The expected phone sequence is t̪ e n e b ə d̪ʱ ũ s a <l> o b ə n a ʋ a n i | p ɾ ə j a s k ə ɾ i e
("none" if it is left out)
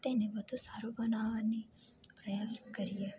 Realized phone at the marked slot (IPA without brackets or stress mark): ɾ